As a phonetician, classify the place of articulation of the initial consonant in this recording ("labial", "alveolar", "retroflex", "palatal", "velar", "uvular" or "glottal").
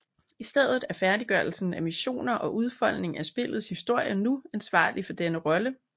alveolar